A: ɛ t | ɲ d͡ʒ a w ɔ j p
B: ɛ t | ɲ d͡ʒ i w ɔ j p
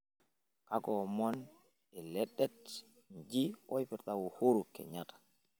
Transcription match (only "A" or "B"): B